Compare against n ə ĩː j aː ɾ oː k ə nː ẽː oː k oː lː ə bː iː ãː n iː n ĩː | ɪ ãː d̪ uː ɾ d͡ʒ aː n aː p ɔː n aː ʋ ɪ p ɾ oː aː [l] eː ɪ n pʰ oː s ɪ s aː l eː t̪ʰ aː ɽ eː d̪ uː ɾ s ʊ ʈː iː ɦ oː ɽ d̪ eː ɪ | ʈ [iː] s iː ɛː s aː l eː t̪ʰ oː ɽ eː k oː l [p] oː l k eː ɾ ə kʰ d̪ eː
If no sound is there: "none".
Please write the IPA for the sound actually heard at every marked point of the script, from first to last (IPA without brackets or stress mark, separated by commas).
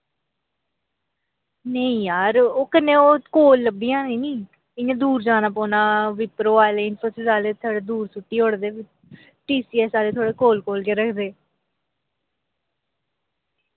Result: l, iː, k